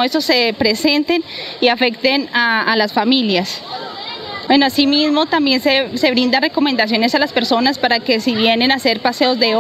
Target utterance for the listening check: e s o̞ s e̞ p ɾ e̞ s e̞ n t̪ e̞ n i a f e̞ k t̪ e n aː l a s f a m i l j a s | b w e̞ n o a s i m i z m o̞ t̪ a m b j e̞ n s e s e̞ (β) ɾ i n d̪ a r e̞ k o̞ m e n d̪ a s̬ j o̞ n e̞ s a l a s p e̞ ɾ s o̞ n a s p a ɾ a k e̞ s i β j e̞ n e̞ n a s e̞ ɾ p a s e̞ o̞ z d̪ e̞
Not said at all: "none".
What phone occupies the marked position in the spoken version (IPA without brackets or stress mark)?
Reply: β